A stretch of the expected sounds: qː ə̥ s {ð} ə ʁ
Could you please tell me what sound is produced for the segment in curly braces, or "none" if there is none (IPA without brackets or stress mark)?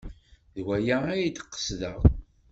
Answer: ð